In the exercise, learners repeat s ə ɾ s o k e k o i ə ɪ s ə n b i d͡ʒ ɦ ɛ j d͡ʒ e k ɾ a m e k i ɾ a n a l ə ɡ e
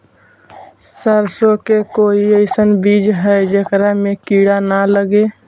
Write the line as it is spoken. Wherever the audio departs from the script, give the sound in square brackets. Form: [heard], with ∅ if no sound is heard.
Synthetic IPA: s ə ɾ s o k e k o i ə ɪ s ə n b i d͡ʒ ɦ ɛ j d͡ʒ e k ɾ a m e k i [ɽ] a n a l ə ɡ e